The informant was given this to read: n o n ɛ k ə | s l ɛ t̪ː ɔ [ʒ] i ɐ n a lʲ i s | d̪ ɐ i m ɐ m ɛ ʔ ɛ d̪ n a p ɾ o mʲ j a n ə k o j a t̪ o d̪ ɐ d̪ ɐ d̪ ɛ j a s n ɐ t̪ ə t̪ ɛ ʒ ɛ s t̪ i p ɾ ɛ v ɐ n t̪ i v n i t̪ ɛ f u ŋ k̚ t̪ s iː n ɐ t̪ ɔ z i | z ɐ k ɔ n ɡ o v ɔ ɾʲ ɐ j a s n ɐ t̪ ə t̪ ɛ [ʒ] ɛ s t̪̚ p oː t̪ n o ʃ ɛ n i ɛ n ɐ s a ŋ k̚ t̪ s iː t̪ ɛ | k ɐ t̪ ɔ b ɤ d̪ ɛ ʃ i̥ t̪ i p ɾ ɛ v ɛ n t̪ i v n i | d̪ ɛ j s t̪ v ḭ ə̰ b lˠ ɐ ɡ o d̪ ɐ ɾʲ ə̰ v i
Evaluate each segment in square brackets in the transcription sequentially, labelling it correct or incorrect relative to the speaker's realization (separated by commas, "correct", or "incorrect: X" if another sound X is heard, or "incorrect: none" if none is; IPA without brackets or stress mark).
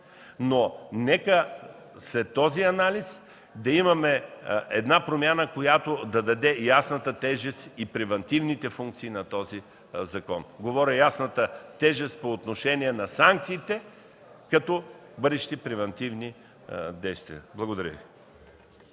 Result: incorrect: z, correct